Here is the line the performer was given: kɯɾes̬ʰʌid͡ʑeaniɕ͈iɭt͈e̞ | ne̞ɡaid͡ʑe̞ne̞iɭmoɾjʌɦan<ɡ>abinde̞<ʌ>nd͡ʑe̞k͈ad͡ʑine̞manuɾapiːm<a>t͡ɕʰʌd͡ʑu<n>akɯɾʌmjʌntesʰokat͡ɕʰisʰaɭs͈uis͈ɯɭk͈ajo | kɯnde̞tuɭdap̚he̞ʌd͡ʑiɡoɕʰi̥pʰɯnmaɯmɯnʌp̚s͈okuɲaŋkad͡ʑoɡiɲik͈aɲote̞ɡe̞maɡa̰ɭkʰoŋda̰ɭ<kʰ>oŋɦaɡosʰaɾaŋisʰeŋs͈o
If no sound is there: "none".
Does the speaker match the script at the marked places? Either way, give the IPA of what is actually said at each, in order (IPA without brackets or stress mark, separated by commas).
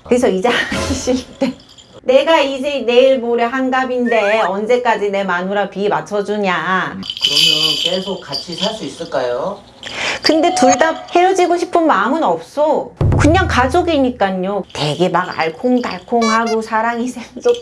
ɡ, ʌ, a, ɲ, kʰ